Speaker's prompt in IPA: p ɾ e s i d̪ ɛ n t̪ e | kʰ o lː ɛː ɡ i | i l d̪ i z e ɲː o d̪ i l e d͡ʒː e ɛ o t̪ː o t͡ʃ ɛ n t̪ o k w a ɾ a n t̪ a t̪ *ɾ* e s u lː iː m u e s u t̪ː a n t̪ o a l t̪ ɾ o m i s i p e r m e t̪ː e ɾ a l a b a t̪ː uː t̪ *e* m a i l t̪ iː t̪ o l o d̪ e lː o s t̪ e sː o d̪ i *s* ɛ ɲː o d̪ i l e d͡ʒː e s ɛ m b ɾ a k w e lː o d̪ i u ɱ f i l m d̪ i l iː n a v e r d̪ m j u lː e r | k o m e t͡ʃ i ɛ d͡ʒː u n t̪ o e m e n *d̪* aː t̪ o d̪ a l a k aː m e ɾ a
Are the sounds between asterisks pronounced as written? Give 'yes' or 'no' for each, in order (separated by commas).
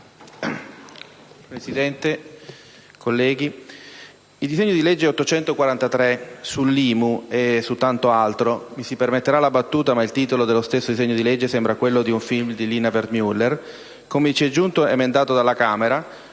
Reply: yes, no, no, yes